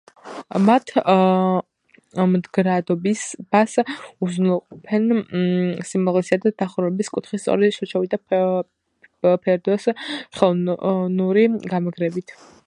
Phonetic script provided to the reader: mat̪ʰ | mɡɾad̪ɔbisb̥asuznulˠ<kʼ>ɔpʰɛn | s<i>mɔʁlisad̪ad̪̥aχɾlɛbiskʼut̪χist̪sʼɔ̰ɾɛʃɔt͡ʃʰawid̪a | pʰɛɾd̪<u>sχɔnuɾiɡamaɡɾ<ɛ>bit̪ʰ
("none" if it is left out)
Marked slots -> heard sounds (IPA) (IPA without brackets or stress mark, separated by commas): qʼ, i, ɔ, ɛ